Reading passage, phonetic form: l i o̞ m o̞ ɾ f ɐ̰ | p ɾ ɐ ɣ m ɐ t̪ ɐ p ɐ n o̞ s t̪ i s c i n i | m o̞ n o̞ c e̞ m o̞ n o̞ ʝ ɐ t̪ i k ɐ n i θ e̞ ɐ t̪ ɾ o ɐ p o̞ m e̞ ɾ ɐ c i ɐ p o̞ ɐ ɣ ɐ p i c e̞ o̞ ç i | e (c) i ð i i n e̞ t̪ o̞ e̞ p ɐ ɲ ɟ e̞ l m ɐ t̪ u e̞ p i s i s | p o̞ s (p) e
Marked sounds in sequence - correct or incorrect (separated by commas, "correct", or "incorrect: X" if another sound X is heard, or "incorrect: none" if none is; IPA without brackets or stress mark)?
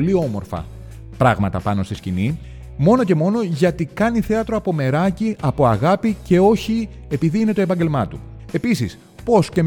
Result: incorrect: p, incorrect: c